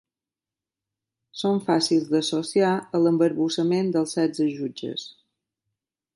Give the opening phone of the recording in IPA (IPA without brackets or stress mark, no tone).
s